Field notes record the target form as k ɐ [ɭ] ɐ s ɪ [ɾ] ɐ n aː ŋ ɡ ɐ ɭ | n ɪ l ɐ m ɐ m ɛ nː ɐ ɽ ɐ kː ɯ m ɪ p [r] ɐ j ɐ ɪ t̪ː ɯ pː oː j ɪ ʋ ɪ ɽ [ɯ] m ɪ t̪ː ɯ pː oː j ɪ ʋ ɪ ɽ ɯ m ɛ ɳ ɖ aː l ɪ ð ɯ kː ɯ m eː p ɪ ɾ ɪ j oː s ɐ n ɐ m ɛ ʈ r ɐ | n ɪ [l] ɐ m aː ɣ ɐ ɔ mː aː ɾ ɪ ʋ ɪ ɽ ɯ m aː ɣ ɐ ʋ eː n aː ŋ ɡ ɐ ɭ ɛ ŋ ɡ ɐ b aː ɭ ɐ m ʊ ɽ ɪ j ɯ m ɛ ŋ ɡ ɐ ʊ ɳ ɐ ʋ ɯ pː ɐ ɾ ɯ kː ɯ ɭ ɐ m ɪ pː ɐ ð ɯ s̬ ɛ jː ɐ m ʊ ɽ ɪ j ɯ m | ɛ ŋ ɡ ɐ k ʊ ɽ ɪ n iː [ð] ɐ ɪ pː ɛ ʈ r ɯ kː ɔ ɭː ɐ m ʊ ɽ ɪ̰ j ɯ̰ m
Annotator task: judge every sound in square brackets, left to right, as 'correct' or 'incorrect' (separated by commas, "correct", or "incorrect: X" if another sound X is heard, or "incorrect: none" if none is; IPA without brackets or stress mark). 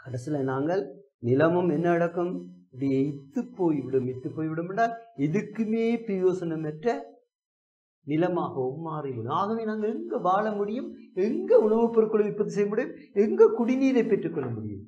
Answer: incorrect: ɽ, incorrect: l, incorrect: ɽ, correct, correct, correct